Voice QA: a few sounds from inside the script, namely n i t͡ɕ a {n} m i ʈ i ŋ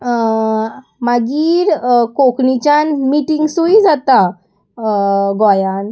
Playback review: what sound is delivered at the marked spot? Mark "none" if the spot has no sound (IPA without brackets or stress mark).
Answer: n